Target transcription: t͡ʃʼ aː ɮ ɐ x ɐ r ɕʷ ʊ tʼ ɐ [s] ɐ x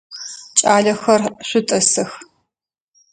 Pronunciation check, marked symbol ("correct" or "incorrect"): correct